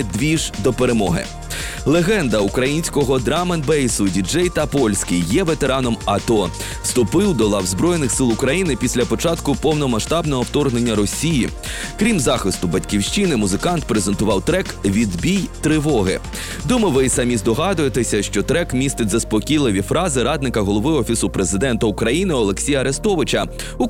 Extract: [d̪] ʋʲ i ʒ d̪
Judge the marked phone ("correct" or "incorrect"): correct